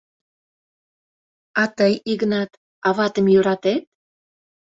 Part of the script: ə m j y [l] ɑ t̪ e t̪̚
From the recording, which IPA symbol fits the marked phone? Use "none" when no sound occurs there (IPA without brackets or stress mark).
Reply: ɾ